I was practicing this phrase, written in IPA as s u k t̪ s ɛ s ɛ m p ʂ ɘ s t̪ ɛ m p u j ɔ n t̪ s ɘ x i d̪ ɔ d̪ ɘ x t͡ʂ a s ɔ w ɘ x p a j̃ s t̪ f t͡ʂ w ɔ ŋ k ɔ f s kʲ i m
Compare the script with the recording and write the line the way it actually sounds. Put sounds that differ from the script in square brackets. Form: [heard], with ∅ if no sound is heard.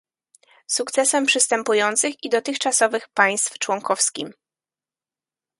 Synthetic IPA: s u k t̪ s ɛ s ɛ m p ʂ ɘ s t̪ ɛ m p u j ɔ n t̪ s ɘ x i d̪ ɔ [t̪] ɘ x t͡ʂ a s ɔ [v] ɘ x p a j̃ s t̪ f t͡ʂ w ɔ ŋ k ɔ f s kʲ i m